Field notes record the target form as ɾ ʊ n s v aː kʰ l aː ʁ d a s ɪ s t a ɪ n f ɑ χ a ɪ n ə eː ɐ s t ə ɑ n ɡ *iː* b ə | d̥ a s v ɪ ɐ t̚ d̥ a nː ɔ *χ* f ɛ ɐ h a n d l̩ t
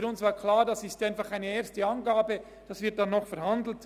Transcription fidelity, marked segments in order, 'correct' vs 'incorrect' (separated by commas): incorrect, correct